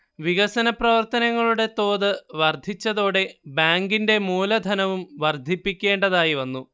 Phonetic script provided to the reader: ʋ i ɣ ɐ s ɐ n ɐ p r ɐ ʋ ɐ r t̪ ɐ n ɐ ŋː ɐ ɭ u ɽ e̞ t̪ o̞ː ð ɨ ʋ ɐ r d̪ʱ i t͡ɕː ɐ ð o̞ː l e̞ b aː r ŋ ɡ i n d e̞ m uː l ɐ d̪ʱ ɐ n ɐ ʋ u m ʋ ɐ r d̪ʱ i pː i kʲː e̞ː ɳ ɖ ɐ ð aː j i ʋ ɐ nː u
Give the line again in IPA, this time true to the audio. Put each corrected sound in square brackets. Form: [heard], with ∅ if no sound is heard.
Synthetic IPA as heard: ʋ i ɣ ɐ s ɐ n ɐ p r ɐ ʋ ɐ r t̪ ɐ n ɐ ŋː ɐ ɭ u ɽ e̞ t̪ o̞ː ð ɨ ʋ ɐ r d̪ʱ i t͡ɕː ɐ ð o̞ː [ɽ] e̞ b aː [∅] ŋ ɡ i n d e̞ m uː l ɐ d̪ʱ ɐ n ɐ ʋ u m ʋ ɐ r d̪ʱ i pː i kʲː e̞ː ɳ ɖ ɐ ð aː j i ʋ ɐ nː u

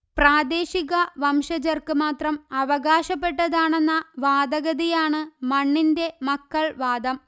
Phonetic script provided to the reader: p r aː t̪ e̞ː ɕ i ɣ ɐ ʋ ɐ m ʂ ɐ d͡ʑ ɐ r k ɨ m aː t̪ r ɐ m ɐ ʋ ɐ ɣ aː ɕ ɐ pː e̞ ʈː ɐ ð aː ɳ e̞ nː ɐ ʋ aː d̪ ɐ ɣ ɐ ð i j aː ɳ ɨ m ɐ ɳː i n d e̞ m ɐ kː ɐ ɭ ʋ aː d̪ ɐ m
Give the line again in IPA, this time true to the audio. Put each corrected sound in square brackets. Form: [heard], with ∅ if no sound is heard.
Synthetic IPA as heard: p r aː [d̪] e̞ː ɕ i ɣ ɐ ʋ ɐ m ʂ ɐ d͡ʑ ɐ r k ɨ m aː t̪ r ɐ m ɐ ʋ ɐ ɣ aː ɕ ɐ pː e̞ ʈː ɐ ð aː ɳ e̞ nː ɐ ʋ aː d̪ ɐ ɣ ɐ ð i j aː ɳ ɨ m ɐ ɳː i n d e̞ m ɐ kː ɐ ɭ ʋ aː d̪ ɐ m

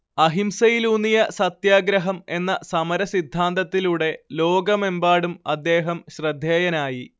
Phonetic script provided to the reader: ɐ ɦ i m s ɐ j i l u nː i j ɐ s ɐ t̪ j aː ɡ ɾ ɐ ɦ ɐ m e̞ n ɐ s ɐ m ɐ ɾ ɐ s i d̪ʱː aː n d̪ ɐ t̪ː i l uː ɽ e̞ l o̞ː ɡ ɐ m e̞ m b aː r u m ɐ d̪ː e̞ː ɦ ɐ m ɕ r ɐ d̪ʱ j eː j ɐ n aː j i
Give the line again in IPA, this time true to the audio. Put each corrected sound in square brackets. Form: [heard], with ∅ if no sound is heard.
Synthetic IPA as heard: ɐ ɦ i m s ɐ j i l u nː i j ɐ s ɐ t̪ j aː ɡ ɾ ɐ ɦ ɐ m e̞ [nː] ɐ s ɐ m ɐ ɾ ɐ s i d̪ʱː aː n d̪ ɐ t̪ː i l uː ɽ e̞ l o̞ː ɡ ɐ m e̞ m b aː [ɽ] u m ɐ d̪ː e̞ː ɦ ɐ m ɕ r ɐ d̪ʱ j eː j ɐ n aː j i

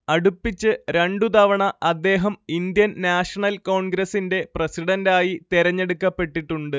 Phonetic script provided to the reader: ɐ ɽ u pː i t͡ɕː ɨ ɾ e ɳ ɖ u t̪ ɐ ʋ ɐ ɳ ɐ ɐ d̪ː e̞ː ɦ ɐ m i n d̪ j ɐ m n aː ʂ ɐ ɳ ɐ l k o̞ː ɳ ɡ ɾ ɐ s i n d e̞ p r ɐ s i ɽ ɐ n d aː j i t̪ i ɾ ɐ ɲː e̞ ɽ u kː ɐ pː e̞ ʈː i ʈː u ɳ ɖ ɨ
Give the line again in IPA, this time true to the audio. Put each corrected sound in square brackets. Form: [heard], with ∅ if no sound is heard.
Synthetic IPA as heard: ɐ ɽ u pː i t͡ɕː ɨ ɾ e ɳ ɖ u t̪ ɐ ʋ ɐ ɳ ɐ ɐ d̪ː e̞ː ɦ ɐ m i n d̪ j ɐ [n] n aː ʂ ɐ ɳ ɐ l k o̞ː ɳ ɡ ɾ ɐ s i n d e̞ p r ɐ s i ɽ ɐ n d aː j i t̪ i ɾ ɐ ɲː e̞ ɽ u kː ɐ pː e̞ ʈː i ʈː u ɳ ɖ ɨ

